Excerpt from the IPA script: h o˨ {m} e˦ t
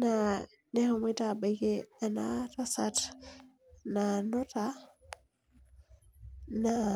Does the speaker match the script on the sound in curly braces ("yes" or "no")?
yes